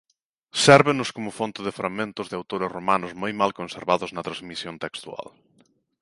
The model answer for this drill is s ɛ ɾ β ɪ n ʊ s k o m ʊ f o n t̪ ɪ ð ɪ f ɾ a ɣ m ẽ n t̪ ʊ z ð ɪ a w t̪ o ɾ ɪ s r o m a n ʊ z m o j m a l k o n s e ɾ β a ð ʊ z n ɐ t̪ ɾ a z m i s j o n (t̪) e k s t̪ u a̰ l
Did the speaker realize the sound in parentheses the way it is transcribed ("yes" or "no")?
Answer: yes